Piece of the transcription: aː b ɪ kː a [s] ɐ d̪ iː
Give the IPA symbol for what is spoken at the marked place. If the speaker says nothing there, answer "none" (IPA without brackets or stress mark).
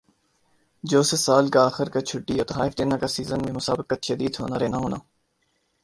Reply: ʃ